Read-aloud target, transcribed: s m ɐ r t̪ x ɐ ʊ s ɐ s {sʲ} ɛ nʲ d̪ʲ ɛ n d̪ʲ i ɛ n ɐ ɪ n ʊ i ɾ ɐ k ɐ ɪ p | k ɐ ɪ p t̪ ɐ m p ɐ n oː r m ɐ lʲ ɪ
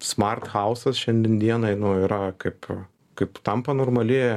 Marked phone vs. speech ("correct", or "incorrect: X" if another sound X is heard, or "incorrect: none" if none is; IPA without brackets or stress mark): incorrect: ʃʲ